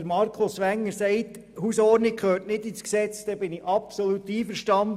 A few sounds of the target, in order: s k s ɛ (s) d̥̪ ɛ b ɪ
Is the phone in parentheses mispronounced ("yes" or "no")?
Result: yes